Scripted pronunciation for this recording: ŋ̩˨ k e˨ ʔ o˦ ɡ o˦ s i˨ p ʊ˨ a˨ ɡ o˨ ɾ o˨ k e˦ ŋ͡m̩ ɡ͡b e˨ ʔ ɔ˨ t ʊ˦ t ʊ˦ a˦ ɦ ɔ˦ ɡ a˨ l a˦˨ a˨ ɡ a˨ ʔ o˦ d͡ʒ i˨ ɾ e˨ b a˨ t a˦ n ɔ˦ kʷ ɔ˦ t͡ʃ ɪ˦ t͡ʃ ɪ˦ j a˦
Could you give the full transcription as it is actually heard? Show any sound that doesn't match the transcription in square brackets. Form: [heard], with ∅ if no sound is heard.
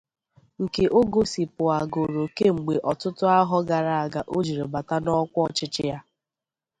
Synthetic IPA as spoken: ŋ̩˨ k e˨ ʔ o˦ ɡ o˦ s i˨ p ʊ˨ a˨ ɡ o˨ ɾ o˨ k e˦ ŋ͡m̩ ɡ͡b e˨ ʔ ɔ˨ t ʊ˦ t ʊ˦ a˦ ɦ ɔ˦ ɡ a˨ [ɾ] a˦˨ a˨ ɡ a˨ ʔ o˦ d͡ʒ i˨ ɾ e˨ b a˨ t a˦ n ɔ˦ kʷ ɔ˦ t͡ʃ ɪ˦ t͡ʃ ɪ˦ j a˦